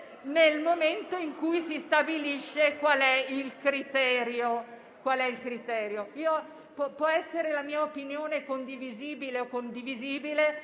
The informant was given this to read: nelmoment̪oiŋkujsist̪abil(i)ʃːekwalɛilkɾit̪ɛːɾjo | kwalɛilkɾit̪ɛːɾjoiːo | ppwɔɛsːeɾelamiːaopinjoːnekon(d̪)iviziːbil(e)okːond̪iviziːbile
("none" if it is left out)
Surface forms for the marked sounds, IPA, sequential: i, d̪, e

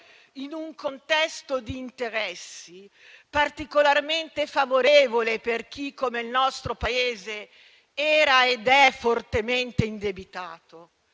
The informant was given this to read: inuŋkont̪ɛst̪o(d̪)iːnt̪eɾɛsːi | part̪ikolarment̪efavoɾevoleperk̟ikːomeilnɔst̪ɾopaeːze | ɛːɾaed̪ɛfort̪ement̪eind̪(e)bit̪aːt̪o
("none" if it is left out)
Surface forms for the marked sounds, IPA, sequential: d̪, e

